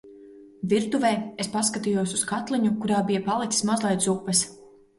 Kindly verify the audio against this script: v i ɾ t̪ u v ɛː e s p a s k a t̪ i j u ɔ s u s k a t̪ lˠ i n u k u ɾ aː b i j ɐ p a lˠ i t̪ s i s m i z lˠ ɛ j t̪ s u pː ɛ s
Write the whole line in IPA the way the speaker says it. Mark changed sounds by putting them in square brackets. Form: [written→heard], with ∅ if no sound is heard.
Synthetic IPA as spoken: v i ɾ t̪ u v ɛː e s p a s k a t̪ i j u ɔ s u s k a t̪ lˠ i [n→ɲ] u k u ɾ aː b i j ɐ p a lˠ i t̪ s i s m [i→a] z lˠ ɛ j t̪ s u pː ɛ s